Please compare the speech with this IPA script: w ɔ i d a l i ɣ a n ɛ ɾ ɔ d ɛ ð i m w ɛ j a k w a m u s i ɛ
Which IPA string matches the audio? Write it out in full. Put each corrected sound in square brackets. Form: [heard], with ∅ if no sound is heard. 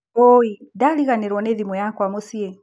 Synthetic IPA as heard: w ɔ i d a l i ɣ a n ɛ ɾ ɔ [n] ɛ ð i m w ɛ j a k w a m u s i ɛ